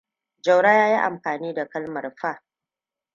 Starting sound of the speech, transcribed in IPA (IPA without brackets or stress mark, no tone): d͡ʒ